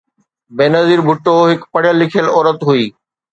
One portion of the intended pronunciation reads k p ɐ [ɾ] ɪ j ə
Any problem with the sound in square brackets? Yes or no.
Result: yes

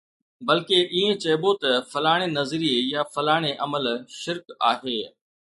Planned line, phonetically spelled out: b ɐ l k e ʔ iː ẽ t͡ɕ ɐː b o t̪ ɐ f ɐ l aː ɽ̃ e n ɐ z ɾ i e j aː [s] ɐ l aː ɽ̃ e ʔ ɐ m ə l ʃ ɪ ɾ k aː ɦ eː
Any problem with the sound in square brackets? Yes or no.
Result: yes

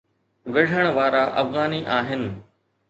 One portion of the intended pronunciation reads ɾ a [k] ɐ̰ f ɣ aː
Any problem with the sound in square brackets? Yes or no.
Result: yes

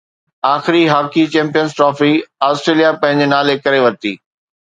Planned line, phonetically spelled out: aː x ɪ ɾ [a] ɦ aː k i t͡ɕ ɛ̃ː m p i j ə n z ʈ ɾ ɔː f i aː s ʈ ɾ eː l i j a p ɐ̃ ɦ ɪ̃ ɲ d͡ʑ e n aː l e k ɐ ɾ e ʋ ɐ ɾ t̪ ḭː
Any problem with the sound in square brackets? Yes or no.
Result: yes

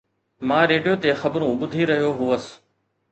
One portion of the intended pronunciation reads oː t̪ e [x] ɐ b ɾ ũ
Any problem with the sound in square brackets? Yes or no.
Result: no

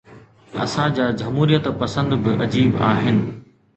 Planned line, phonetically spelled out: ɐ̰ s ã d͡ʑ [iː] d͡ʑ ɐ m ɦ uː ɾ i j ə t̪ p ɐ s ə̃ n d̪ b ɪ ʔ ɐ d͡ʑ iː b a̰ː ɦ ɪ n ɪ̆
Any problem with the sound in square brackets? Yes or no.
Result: yes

